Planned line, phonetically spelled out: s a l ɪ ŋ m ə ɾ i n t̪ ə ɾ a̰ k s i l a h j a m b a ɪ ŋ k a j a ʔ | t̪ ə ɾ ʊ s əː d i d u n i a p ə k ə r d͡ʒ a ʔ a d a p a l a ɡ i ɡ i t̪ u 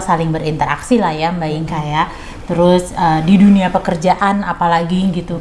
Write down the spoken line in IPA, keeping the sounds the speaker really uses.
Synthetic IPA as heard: s a l ɪ ŋ b ə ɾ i n t̪ ə ɾ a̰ k s i l a h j a m b a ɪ ŋ k a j a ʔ | t̪ ə ɾ ʊ s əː d i d u n i a p ə k ə r d͡ʒ a ʔ a n a p a l a ɡ i ɡ i t̪ u